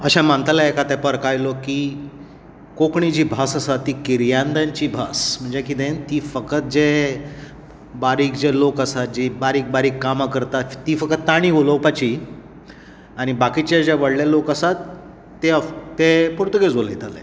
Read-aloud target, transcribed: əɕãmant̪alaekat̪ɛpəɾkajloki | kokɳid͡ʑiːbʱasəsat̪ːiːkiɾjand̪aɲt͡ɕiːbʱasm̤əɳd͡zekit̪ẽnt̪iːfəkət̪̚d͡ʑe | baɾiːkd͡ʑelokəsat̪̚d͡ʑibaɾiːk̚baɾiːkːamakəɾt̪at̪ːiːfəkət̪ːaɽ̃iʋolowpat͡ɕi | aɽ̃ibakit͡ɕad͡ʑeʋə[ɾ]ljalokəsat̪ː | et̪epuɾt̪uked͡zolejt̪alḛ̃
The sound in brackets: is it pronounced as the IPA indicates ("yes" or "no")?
no